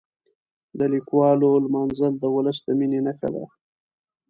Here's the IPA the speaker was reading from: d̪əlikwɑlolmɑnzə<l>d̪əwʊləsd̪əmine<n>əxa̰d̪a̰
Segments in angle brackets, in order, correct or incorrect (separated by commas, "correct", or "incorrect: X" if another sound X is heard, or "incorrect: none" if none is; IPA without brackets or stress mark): correct, correct